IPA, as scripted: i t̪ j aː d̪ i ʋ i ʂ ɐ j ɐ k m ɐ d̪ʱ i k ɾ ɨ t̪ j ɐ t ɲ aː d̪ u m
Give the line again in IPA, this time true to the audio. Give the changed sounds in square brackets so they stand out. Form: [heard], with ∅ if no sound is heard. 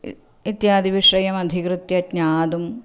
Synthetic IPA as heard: i t̪ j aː d̪ i ʋ i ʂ ɐ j ɐ [∅] m ɐ d̪ʱ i k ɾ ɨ t̪ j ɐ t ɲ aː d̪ u m